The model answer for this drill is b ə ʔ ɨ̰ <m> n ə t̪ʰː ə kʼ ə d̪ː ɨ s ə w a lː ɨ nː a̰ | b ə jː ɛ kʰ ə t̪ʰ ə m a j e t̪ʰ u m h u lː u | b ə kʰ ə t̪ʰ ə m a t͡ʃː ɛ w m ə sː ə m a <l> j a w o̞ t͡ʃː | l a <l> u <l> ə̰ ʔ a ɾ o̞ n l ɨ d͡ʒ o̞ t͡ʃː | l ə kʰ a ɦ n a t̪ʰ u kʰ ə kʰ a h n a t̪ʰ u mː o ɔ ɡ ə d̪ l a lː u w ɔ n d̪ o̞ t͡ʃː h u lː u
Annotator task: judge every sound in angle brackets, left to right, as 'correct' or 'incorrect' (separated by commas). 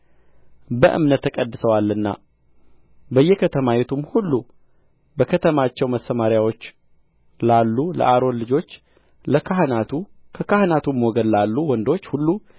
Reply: correct, incorrect, incorrect, correct